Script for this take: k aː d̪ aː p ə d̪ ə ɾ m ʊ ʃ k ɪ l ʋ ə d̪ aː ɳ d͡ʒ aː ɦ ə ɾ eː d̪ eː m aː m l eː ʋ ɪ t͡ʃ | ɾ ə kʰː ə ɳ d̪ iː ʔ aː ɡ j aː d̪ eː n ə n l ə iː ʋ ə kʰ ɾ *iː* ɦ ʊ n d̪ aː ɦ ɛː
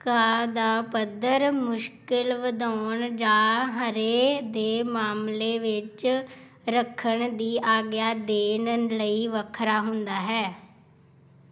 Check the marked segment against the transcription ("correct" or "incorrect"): incorrect